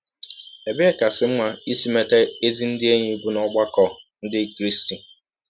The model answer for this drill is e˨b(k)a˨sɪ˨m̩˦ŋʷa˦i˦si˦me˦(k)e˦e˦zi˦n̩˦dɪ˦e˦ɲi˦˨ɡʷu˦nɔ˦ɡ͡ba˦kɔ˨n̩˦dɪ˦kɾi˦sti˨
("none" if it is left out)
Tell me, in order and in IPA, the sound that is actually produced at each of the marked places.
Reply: k, t

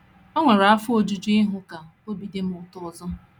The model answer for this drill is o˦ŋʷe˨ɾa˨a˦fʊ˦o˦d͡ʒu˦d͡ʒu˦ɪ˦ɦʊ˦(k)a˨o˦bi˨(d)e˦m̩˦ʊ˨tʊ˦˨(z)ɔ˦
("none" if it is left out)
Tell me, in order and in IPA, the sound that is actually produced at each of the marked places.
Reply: k, d, z

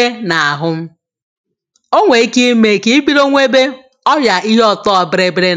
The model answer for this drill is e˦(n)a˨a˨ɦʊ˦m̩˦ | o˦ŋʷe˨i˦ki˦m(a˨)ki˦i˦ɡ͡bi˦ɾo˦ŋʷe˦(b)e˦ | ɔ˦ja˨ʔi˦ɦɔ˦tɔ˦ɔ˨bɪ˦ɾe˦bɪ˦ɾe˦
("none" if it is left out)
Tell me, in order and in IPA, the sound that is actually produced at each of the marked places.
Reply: n, e˨, b

